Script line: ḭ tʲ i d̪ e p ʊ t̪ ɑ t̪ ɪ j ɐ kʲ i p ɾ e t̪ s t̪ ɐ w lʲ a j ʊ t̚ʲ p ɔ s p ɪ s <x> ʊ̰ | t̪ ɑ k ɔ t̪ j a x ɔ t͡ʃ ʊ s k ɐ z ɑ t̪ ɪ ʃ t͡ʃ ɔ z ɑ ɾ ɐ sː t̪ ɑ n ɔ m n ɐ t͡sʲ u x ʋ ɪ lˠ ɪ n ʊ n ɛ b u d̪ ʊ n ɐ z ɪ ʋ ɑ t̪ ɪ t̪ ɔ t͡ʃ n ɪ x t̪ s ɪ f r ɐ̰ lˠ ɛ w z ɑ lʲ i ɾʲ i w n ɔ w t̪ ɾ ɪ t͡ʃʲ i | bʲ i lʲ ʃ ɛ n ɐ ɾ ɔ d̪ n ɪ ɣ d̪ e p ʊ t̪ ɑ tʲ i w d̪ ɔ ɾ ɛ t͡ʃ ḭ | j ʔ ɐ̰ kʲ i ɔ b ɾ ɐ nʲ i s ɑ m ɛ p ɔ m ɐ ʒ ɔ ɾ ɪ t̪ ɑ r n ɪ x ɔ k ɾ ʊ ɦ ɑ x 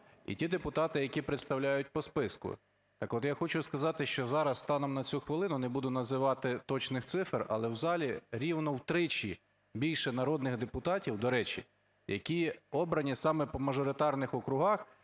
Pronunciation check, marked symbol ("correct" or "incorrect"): incorrect